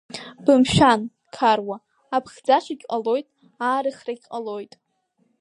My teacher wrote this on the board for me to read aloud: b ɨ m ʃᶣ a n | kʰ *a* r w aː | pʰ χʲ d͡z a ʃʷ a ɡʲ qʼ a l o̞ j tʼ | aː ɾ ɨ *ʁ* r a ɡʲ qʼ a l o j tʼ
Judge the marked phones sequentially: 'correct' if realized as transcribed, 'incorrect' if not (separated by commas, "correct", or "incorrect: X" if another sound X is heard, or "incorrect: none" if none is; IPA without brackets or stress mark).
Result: correct, incorrect: χ